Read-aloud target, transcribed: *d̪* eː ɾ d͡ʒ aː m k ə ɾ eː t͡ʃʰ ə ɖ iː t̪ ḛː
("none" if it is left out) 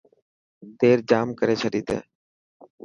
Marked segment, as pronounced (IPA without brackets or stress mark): t̪